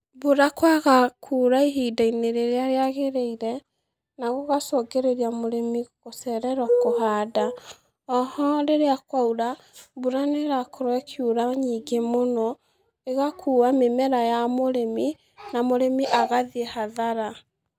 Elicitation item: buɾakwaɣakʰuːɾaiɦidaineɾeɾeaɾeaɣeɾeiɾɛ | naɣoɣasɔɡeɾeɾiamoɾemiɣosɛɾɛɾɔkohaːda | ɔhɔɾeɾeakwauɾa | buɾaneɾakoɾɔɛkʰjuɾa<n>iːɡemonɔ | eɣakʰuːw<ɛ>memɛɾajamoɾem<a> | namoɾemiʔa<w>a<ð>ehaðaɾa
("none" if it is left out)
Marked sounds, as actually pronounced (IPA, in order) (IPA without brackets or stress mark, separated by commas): ɲ, a, i, ɣ, ð